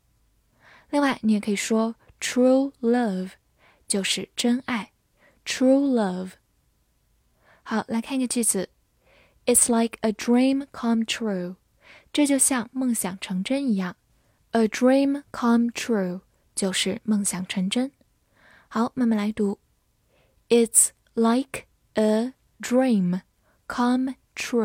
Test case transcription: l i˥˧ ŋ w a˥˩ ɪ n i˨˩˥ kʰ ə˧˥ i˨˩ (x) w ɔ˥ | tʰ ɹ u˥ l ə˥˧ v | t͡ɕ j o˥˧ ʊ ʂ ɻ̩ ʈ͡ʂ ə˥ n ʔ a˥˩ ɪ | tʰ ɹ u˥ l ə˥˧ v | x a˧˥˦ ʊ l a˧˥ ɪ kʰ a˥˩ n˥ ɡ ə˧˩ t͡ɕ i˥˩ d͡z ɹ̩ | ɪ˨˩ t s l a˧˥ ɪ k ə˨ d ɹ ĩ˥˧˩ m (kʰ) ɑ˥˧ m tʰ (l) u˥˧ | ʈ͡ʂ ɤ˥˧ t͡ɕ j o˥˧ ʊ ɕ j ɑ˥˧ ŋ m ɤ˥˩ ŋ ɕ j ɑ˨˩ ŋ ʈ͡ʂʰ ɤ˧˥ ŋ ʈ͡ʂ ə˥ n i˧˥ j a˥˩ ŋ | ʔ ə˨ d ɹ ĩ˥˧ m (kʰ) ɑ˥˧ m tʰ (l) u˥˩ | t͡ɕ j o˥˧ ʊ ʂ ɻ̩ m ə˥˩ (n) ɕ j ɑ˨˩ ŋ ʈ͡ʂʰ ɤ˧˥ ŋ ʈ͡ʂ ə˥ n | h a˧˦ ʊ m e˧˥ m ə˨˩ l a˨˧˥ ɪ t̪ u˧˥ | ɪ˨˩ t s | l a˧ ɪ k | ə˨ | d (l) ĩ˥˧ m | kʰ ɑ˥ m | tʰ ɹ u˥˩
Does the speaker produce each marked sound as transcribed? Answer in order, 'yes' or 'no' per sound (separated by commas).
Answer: no, yes, no, yes, no, no, no